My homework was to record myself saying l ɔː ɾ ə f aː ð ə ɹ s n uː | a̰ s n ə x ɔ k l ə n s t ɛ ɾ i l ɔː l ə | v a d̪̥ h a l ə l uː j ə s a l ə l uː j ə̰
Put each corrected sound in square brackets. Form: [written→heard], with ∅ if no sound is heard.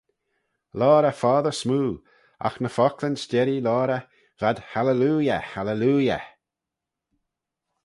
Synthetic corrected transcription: l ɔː ɾ ə f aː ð ə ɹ s [n→m] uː | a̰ [s→x] n ə [x→f] ɔ k l ə n s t ɛ ɾ i l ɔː [l→ɾ] ə | v a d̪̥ h a l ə l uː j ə [s→h] a l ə l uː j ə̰